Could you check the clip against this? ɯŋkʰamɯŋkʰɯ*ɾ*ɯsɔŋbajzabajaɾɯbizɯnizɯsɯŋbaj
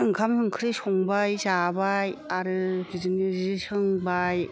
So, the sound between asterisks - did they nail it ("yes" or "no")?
yes